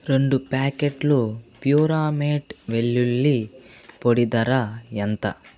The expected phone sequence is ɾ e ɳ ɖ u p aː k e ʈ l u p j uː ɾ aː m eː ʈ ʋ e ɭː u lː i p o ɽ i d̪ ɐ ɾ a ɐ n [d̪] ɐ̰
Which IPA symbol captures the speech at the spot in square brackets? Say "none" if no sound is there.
t̪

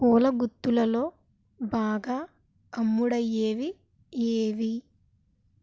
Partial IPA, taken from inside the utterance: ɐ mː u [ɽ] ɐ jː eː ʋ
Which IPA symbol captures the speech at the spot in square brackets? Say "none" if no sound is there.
ɽ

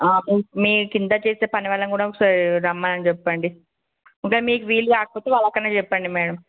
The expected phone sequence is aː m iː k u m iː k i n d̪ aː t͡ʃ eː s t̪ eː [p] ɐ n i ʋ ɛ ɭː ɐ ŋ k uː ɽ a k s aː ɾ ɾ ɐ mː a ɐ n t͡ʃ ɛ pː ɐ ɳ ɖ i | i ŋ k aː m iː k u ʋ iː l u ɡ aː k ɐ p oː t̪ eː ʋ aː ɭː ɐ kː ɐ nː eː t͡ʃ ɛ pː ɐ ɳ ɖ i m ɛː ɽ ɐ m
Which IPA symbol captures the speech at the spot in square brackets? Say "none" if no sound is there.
p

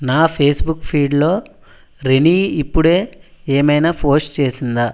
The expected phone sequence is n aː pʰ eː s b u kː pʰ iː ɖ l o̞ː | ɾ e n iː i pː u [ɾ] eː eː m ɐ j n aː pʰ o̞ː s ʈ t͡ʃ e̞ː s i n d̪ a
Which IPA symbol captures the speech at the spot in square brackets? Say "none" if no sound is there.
ɽ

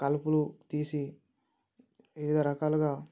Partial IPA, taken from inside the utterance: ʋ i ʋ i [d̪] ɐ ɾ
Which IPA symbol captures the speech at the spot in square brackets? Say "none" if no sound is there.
d̪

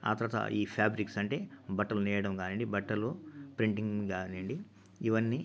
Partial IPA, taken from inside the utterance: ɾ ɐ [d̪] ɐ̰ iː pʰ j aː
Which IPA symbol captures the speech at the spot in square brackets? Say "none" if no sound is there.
t̪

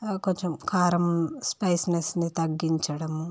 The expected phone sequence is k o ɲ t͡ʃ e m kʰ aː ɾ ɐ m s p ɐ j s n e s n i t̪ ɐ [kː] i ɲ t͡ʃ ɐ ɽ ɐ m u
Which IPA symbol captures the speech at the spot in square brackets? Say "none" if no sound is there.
ɡː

